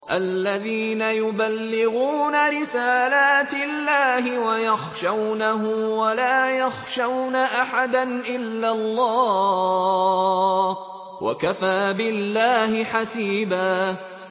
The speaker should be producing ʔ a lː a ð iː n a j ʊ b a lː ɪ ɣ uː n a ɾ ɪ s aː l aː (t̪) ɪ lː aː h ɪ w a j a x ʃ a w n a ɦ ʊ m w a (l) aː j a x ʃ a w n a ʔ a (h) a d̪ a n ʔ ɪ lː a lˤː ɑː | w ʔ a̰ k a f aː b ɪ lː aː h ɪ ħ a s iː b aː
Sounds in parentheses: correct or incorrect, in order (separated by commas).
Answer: correct, correct, incorrect